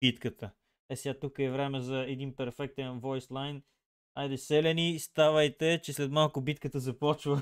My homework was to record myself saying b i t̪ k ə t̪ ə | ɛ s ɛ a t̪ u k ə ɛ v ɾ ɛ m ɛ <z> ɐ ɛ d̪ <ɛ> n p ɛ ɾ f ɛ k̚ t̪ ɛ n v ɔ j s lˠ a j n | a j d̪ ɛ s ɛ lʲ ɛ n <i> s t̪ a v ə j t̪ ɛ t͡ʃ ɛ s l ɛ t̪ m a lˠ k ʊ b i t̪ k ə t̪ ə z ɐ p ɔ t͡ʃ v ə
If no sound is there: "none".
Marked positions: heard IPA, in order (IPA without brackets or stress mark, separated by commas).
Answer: z, i, i